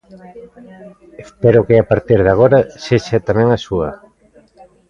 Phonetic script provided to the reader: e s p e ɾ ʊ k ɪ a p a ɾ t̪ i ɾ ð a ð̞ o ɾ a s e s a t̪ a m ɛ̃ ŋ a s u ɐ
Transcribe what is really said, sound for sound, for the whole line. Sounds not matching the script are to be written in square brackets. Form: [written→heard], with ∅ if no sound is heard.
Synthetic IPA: e s p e ɾ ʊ k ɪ a p a ɾ t̪ i ɾ ð a [ð̞→ɣ̞] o ɾ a s e [s→ʃ] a t̪ a m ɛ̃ ŋ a s u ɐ